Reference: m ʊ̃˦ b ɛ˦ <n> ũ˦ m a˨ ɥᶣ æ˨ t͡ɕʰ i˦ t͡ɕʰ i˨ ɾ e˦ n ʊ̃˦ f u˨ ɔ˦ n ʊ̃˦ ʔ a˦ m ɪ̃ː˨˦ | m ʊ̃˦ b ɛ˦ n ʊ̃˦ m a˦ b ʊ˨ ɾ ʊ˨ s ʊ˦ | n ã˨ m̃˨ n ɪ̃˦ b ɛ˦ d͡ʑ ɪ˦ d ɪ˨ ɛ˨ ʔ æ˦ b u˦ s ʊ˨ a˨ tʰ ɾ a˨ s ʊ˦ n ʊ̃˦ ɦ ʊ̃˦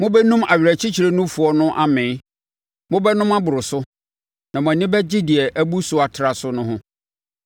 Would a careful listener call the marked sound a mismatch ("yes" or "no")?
no